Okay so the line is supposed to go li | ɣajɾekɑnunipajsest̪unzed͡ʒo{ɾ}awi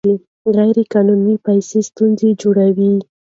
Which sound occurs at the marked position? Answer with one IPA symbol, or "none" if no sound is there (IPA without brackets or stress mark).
ɽ